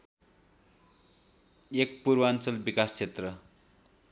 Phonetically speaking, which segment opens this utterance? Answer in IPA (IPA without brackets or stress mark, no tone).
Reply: e